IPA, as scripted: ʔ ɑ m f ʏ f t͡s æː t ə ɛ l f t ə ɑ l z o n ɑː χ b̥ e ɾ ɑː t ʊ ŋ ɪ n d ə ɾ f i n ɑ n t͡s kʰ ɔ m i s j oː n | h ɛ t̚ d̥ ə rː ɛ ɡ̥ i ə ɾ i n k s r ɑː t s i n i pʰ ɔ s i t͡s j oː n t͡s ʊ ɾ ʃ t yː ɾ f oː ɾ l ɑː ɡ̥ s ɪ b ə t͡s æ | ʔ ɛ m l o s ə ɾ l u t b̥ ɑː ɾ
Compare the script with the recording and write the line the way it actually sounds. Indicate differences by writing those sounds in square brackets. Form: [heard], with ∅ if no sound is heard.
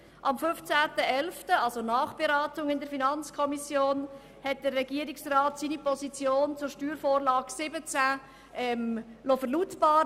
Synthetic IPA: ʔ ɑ m f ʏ f t͡s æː t ə ɛ l f t ə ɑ l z o n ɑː χ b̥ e ɾ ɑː t ʊ ŋ ɪ n d ə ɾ f i n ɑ n t͡s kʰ ɔ m i s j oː n | h ɛ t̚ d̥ ə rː ɛ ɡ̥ i ə ɾ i [∅] k s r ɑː t s i n i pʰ ɔ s i t͡s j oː n t͡s ʊ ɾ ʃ t yː ɾ f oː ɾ l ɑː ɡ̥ s ɪ b ə t͡s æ | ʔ ɛ m l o [f] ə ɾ l u t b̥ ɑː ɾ